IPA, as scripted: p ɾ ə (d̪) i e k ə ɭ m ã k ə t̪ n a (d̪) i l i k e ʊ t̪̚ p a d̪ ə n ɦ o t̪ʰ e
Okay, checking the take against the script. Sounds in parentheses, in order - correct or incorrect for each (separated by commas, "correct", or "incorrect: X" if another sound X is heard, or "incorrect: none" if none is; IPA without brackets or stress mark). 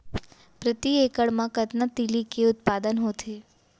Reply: incorrect: t̪, incorrect: t̪